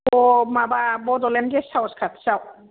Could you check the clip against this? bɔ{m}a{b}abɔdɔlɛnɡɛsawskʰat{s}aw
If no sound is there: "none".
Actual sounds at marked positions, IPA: m, b, s

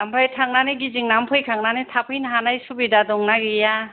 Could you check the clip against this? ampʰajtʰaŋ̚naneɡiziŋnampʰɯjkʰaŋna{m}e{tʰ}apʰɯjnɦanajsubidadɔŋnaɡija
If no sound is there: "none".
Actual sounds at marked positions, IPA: n, tʰ

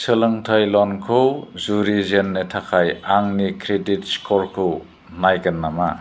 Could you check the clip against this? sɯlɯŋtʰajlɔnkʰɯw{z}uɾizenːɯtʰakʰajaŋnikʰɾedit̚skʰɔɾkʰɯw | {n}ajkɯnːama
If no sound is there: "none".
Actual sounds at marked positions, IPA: z, n

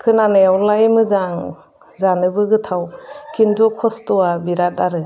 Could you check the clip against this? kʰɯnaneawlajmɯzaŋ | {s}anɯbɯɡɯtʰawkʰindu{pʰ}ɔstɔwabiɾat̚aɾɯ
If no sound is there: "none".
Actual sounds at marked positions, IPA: z, kʰ

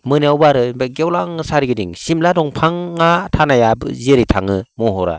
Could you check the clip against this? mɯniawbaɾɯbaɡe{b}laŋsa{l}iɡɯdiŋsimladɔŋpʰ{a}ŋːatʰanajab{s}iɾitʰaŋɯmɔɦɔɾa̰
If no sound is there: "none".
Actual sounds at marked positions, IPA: w, ɾ, a, z

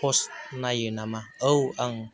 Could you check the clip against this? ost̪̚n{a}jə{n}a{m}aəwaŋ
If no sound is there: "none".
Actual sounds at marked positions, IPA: a, n, m

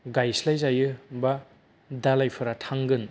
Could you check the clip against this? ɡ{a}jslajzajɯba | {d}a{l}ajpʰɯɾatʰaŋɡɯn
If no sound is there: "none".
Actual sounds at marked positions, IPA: a, d, l

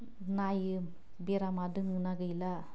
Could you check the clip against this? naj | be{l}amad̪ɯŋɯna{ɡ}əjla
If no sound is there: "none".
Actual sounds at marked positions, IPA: ɾ, ɡ

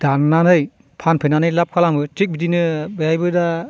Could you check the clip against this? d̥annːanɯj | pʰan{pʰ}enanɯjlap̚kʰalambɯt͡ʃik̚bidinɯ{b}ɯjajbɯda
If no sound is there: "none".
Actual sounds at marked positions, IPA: pʰ, b

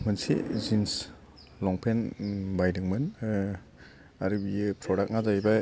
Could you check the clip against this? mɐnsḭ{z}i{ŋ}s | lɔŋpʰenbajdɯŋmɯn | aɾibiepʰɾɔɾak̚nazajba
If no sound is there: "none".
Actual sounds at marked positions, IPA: z, n

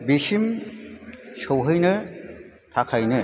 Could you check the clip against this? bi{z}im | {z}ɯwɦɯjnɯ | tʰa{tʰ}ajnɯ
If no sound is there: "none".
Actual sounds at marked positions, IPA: s, s, kʰ

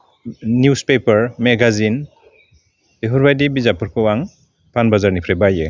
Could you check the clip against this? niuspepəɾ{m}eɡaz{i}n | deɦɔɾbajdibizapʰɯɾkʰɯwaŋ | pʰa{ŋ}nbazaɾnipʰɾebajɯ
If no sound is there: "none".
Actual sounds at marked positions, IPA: m, i, none

